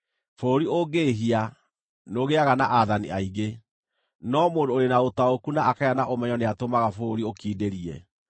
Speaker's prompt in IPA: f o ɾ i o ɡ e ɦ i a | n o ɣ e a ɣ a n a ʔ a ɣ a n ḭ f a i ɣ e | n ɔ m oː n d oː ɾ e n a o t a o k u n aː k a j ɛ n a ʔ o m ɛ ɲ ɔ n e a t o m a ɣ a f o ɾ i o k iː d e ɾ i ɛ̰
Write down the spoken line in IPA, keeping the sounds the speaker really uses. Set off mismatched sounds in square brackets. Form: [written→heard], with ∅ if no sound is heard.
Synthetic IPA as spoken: f o ɾ i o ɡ e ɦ i a | n o ɣ e a ɣ a n a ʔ a [ɣ→ð] a n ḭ [f→∅] a i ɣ e | n ɔ m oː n d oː ɾ e n a o t a o k u n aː k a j [ɛ→a] n a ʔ o m ɛ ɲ ɔ n e a t o m a ɣ a f o ɾ i o k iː d e ɾ i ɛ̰